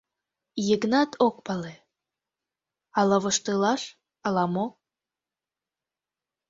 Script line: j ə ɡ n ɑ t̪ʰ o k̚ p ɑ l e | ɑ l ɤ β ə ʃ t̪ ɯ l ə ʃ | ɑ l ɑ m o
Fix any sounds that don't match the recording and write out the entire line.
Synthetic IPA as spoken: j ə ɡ n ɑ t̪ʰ o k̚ p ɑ l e | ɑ l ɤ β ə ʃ t̪ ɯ l ɑ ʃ | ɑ l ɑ m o

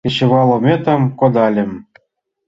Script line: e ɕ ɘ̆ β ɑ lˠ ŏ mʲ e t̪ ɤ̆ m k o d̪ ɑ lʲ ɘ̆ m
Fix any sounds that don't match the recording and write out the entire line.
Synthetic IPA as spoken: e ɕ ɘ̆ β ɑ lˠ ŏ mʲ e t̪ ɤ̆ m k o d̪ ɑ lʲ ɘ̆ m

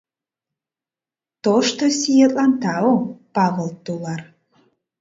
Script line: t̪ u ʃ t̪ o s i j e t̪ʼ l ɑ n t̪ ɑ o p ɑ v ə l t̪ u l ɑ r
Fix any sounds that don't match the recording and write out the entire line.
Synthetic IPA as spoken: t̪ o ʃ t̪ o s i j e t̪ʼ l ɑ n t̪ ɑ o p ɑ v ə l t̪ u l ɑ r

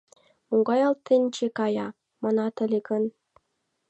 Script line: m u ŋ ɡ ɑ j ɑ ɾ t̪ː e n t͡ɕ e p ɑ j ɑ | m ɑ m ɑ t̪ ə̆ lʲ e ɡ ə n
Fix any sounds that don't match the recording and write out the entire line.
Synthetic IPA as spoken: m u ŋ ɡ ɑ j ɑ l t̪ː e n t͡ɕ e k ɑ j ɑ | m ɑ n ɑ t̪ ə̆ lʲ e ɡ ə n

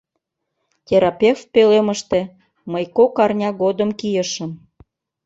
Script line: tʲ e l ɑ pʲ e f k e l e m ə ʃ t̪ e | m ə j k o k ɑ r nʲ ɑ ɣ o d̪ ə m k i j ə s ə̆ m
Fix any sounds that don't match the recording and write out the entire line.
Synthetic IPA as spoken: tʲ e ɾ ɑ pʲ e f p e l e m ə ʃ t̪ e | m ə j k o k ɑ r nʲ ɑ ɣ o d̪ ə m k i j ə ʃ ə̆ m

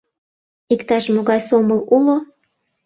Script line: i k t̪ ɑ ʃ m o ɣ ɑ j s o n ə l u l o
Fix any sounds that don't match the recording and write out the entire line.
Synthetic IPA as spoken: i k t̪ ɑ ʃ m o ɣ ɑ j s o m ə l u l o

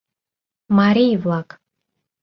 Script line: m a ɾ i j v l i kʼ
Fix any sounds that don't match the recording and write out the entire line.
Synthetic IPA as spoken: m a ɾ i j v l a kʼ

